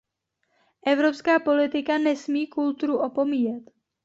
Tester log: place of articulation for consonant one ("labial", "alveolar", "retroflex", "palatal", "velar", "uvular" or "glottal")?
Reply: glottal